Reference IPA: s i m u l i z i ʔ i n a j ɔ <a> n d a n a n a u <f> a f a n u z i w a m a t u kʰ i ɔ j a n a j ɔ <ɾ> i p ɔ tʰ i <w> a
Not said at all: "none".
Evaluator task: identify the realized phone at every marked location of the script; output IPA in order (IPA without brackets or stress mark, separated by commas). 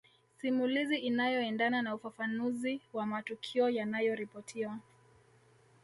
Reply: ɛ, f, ɾ, w